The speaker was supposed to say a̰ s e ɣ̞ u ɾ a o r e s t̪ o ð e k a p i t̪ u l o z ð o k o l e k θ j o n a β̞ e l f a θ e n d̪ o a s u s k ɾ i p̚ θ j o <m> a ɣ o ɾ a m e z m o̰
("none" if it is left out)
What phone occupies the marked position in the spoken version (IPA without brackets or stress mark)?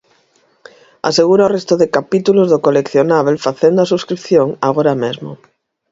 ŋ